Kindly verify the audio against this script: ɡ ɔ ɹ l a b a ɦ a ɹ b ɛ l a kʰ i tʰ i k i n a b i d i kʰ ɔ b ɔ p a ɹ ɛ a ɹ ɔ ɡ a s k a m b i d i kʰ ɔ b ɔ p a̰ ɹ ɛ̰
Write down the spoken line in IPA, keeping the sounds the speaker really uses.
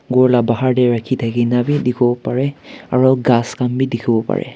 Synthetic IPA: ɡ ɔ ɹ l a b a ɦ a ɹ d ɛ ɹ a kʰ i tʰ a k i n a b i d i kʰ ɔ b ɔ p a ɹ ɛ a ɹ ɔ ɡ a s k a m b i d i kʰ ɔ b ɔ p a̰ ɹ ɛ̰